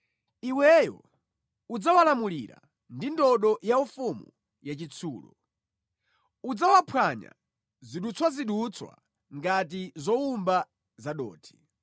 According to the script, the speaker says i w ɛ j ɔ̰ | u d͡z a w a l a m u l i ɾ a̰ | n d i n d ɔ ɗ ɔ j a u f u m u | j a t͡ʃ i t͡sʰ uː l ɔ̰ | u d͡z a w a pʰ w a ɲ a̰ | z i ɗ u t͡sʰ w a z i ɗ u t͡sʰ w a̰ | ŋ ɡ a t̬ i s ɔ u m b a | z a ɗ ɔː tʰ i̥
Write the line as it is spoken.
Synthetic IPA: i w ɛ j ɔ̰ | u d͡z a w a l a m u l i ɾ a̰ | n d i n d ɔ ɗ ɔ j a u f u m u | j a t͡ʃ i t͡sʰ uː l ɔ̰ | u d͡z a w a pʰ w a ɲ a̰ | z i ɗ u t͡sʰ w a z i ɗ u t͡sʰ w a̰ | ŋ ɡ a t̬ i z ɔ u m b a | z a ɗ ɔː tʰ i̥

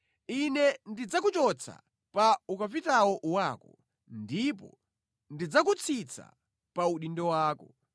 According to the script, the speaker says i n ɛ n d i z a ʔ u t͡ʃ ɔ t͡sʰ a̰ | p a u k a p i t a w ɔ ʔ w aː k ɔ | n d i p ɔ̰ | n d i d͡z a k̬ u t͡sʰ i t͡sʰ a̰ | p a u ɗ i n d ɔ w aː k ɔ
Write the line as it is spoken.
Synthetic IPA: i n ɛ n d i d͡z a k u t͡ʃ ɔ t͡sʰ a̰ | p a u k a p i t a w ɔ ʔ w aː k ɔ | n d i p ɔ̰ | n d i d͡z a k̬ u t͡sʰ i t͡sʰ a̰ | p a u ɗ i n d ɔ w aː k ɔ

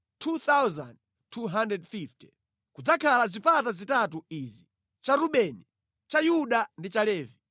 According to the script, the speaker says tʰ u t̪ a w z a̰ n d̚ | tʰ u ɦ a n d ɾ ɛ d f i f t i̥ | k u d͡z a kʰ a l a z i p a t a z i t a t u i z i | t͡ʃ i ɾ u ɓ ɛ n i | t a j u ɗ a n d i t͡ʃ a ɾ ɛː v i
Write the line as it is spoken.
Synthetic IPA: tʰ u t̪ a w z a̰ n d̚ | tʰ u ɦ a n d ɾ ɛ d f i f t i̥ | k u d͡z a kʰ a l a z i p a t a z i t a t u i z i | t͡ʃ a ɾ u ɓ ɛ n i | t͡ʃ a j u ɗ a n d i t͡ʃ a l ɛː v i

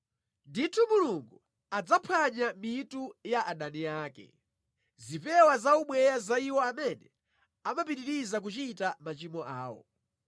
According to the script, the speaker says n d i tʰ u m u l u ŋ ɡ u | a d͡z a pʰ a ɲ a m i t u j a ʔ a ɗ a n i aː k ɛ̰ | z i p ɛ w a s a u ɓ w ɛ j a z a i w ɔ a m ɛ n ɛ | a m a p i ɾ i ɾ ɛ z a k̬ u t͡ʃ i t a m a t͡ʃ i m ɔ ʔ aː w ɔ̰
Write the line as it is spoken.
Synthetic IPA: n d i tʰ u m u l u ŋ ɡ u | a d͡z a pʰ a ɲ a m i t u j a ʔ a ɗ a n i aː k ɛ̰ | z i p ɛ w a z a u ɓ w ɛ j a z a i w ɔ a m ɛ n ɛ | a m a p i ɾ i ɾ i z a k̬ u t͡ʃ i t a m a t͡ʃ i m ɔ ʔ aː w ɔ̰

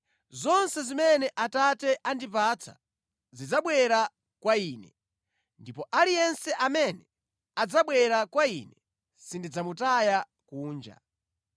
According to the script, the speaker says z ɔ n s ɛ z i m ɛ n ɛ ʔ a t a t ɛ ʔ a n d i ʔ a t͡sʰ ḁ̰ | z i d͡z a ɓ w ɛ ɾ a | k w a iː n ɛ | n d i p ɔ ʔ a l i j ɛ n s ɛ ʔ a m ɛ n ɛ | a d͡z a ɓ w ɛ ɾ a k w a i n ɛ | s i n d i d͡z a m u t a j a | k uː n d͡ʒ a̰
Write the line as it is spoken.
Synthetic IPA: z ɔ n s ɛ z i m ɛ n ɛ ʔ a t a t ɛ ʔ a n d i p a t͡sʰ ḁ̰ | z i d͡z a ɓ w ɛ ɾ a | k w a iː n ɛ | n d i p ɔ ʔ a l i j ɛ n s ɛ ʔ a m ɛ n ɛ | a d͡z a ɓ w ɛ ɾ a k w a i n ɛ | s i n d i d͡z a m u t a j a | k uː n d͡ʒ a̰

